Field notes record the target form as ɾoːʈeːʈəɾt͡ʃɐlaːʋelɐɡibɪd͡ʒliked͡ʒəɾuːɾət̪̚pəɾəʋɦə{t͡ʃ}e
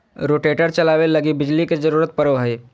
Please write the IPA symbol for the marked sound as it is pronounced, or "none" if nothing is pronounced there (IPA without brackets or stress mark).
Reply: none